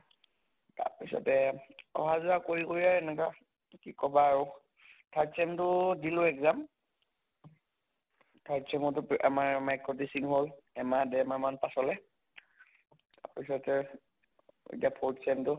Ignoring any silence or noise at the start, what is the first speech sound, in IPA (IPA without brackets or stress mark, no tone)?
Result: t